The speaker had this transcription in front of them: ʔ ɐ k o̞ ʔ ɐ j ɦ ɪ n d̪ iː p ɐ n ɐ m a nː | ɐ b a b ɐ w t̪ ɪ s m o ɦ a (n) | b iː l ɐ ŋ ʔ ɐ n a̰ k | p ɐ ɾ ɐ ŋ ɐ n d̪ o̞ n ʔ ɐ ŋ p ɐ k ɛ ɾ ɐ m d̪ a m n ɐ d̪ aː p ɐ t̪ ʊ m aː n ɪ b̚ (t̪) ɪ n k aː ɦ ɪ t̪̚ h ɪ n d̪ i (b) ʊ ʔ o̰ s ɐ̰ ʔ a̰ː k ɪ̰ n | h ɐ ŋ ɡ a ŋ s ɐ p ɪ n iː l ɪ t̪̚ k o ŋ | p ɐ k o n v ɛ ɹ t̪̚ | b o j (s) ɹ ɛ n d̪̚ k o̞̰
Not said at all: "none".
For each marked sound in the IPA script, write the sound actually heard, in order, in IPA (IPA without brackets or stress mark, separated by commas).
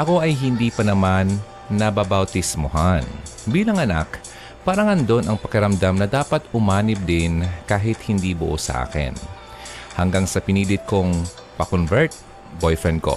n, d̪, b, f